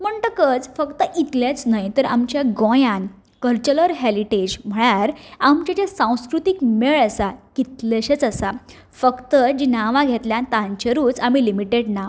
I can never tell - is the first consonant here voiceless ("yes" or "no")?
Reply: no